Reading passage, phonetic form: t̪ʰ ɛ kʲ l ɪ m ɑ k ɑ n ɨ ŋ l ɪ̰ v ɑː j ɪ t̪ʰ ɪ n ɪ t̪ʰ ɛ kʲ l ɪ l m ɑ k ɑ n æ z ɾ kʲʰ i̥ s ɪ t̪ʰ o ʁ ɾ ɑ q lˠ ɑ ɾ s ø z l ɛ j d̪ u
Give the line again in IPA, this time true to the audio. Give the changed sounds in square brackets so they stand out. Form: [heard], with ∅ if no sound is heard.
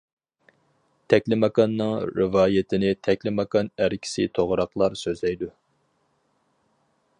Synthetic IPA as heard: t̪ʰ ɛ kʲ l ɪ m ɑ k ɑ [nː] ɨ ŋ [ɾ] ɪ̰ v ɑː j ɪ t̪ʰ ɪ n ɪ t̪ʰ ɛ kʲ l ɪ [∅] m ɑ k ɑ n æ [∅] ɾ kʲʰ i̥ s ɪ t̪ʰ o ʁ ɾ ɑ q lˠ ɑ ɾ s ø z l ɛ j d̪ u